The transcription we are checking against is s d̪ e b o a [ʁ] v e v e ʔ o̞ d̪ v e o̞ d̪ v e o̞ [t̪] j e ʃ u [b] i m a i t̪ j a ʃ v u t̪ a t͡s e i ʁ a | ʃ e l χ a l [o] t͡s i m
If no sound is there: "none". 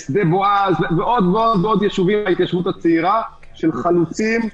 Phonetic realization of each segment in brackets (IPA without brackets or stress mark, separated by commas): z, d̪, v, u